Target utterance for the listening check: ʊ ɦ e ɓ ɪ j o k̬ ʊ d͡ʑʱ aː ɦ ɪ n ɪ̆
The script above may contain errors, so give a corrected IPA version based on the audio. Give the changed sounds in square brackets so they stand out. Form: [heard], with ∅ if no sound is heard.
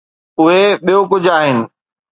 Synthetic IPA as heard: ʊ ɦ e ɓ [i] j o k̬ ʊ d͡ʑʱ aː ɦ ɪ n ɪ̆